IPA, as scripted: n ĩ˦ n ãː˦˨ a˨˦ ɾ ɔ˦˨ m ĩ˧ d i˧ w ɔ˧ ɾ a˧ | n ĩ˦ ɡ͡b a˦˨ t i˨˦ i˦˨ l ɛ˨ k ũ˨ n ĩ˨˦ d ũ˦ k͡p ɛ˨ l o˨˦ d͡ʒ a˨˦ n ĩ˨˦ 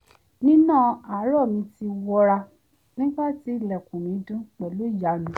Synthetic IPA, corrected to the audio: n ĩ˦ n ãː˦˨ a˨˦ ɾ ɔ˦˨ m ĩ˧ t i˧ w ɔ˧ ɾ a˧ | n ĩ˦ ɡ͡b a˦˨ t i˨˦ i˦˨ l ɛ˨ k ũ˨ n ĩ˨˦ d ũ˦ k͡p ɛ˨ l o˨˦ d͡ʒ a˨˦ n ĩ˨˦